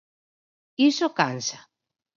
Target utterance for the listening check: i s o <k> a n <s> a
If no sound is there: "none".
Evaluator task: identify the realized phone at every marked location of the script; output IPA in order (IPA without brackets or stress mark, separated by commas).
k, s